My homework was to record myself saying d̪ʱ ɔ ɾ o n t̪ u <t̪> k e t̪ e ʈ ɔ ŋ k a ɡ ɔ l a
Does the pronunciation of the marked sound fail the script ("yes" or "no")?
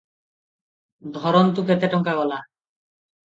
yes